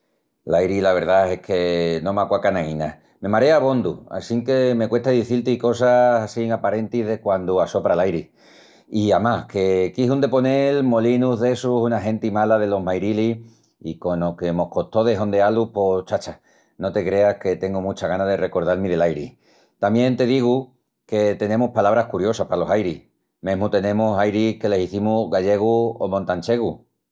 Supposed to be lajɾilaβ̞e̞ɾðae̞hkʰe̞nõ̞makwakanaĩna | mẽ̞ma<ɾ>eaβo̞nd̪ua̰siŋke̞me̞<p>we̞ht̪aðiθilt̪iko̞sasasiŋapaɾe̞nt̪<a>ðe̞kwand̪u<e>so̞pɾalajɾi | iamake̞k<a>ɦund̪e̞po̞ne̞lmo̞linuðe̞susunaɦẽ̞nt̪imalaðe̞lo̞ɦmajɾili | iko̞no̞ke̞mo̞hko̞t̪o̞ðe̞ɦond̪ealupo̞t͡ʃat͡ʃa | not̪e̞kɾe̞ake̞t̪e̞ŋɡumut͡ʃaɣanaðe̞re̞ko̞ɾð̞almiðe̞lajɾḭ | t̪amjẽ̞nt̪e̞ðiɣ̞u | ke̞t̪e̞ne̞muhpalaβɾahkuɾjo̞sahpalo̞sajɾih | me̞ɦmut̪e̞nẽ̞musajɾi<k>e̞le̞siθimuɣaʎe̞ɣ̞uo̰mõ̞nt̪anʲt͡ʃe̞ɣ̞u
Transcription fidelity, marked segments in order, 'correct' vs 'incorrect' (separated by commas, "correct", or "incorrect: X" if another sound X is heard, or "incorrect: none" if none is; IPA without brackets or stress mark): correct, incorrect: k, incorrect: i, incorrect: a, incorrect: i, correct